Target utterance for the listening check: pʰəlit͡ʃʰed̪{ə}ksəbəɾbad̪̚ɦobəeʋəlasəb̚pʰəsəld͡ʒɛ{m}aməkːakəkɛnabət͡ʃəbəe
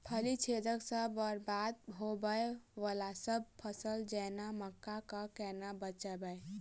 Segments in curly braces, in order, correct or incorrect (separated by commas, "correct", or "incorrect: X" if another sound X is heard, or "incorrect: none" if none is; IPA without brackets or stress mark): correct, incorrect: n